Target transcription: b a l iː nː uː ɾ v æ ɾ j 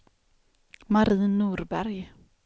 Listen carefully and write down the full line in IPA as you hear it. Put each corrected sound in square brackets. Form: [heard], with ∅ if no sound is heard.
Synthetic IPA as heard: [m] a [ɾ] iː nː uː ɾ [b] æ ɾ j